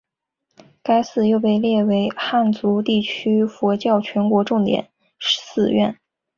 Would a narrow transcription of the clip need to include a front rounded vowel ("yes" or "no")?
yes